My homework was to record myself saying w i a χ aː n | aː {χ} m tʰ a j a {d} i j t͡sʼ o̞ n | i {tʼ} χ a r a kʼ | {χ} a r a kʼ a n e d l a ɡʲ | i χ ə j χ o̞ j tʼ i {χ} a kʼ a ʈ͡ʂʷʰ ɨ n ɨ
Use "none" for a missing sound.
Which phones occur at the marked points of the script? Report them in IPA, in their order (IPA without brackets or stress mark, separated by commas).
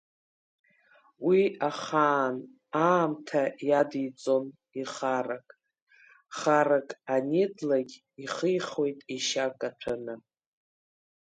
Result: none, d, none, χ, ʃ